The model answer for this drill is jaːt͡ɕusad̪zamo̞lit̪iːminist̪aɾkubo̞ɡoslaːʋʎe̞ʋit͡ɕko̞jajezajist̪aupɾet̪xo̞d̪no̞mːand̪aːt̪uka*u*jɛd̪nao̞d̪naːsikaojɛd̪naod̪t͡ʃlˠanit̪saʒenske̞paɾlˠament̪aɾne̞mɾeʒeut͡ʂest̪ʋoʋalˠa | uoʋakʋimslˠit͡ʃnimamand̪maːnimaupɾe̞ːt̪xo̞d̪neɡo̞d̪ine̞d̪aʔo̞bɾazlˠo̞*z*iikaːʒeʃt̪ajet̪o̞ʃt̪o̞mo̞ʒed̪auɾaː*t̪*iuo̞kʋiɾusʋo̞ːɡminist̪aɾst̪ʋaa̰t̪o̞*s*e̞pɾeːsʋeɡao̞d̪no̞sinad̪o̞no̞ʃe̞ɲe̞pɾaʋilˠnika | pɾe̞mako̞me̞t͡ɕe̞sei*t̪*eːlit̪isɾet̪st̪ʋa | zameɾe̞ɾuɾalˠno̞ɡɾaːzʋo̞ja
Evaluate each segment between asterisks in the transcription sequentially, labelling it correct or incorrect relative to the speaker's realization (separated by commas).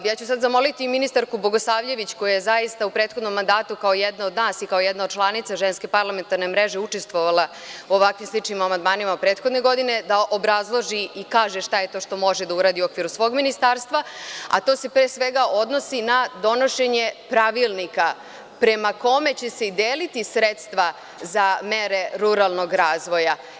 incorrect, incorrect, incorrect, correct, incorrect